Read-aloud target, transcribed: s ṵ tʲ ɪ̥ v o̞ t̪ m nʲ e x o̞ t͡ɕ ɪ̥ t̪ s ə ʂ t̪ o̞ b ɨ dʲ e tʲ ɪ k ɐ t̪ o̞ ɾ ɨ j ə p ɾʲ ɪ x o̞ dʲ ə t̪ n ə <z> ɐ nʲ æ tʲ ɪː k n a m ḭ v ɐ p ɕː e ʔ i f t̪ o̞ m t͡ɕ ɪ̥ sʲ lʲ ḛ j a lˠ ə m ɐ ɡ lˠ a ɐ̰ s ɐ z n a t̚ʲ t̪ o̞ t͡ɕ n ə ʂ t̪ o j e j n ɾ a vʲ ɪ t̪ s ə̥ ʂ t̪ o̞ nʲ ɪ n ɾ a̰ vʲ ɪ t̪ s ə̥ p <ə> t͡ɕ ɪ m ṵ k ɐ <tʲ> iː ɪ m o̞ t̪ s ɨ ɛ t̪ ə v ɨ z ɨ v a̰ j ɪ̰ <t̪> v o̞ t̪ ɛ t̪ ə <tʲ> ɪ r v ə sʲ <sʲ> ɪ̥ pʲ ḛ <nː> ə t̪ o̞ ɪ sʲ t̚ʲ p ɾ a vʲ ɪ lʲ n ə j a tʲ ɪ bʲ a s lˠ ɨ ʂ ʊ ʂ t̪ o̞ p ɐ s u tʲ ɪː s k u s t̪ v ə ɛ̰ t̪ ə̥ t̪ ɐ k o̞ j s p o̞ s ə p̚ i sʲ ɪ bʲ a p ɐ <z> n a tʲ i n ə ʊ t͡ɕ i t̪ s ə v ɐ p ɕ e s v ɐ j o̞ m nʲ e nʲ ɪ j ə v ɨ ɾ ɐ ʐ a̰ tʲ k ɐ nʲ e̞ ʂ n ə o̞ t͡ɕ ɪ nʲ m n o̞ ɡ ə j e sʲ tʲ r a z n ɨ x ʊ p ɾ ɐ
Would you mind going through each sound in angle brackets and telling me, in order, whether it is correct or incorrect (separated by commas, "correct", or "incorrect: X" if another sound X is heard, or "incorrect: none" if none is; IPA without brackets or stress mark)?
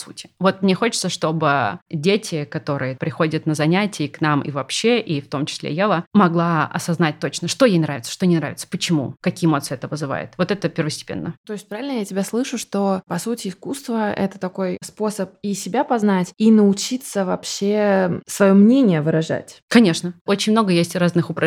correct, correct, incorrect: kʲ, correct, incorrect: pʲ, incorrect: tʲ, correct, correct